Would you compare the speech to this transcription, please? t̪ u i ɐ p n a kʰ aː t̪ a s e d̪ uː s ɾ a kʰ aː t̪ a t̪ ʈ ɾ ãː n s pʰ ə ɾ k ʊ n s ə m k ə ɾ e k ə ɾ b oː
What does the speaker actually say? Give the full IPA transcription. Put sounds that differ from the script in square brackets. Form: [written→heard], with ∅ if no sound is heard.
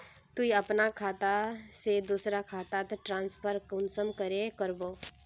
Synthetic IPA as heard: t̪ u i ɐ p n a kʰ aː t̪ a s e d̪ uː s ɾ a kʰ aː t̪ a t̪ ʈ ɾ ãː n s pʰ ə ɾ k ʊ n s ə m k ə ɾ e k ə ɾ b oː